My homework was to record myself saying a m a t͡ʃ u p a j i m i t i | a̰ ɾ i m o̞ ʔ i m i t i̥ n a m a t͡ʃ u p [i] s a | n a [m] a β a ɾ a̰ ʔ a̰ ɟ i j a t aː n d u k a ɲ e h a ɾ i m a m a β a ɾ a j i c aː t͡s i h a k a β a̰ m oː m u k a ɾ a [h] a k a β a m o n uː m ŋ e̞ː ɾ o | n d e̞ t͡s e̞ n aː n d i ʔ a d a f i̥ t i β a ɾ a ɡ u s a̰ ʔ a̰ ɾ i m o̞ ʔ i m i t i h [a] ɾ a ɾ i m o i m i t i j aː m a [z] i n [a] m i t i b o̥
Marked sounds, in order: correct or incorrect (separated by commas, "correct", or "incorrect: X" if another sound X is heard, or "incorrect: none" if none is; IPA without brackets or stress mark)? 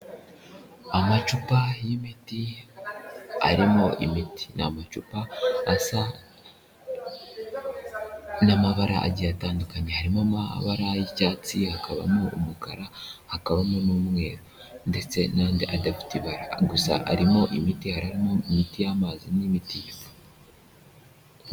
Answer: incorrect: a, correct, correct, correct, correct, incorrect: i